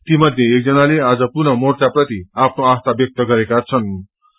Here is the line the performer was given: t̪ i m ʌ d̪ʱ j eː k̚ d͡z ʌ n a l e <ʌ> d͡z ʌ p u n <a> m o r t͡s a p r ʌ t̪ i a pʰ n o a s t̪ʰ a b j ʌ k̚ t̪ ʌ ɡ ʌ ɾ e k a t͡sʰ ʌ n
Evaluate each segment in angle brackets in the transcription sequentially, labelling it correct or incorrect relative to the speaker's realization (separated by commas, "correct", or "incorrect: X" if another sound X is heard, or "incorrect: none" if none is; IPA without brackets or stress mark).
incorrect: a, incorrect: ʌ